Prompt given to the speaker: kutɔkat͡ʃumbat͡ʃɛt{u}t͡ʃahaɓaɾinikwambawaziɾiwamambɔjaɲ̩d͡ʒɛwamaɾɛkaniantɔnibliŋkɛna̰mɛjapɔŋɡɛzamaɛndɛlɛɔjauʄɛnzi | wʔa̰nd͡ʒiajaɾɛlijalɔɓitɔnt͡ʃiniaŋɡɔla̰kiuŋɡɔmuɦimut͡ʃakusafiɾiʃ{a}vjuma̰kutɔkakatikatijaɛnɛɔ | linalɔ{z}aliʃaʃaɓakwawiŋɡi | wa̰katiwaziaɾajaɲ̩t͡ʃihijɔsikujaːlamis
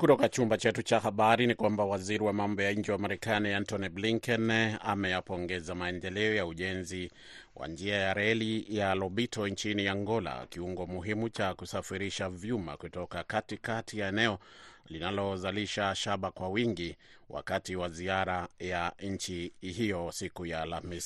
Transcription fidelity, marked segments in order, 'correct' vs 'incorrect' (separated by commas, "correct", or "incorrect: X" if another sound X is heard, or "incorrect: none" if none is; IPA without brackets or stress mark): correct, correct, correct